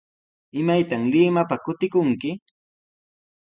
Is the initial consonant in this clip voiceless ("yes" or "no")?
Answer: no